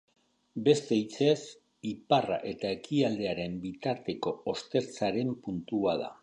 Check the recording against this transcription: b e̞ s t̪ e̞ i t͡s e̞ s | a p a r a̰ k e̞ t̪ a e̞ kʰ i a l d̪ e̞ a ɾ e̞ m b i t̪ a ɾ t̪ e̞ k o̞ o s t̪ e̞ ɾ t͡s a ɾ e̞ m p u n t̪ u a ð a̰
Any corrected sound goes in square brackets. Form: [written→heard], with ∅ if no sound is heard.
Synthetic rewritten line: b e̞ s t̪ e̞ i t͡s e̞ s | [a→i] p a r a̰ [k→ʔ] e̞ t̪ a e̞ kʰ i a l d̪ e̞ a ɾ e̞ m b i t̪ a ɾ t̪ e̞ k o̞ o s t̪ e̞ ɾ t͡s a ɾ e̞ m p u n t̪ u a ð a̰